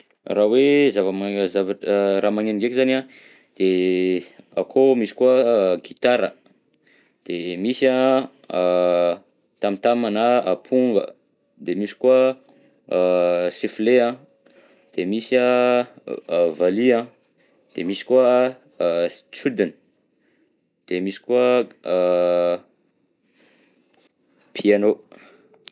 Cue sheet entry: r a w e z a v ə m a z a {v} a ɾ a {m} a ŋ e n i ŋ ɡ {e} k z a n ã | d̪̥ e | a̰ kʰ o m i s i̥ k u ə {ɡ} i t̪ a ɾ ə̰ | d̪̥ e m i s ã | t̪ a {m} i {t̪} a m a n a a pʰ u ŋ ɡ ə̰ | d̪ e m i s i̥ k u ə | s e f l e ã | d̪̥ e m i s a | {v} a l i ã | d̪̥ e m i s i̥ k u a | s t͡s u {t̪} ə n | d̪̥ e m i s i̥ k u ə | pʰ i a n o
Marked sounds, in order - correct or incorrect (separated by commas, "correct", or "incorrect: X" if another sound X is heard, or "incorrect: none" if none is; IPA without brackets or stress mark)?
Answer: correct, correct, correct, correct, correct, correct, correct, incorrect: d̪